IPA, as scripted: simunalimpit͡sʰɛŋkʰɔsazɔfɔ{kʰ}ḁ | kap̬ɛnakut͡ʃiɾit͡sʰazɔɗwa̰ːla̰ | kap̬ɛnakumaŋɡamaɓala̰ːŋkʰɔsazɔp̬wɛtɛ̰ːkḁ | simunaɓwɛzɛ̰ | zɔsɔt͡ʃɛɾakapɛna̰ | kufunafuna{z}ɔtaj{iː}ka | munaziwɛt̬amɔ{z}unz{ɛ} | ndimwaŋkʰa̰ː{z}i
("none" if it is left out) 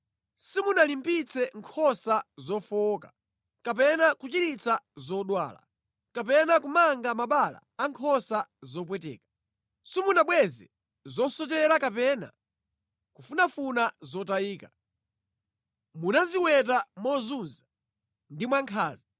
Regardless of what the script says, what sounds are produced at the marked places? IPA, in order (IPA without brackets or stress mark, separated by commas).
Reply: k, z, iː, z, a, z